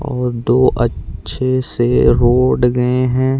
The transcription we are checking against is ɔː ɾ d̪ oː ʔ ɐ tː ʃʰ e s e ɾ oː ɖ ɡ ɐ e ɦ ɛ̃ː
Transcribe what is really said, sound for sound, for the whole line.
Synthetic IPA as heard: ɔː ɾ d̪ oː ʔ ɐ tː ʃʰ e s e ɾ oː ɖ ɡ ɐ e ɦ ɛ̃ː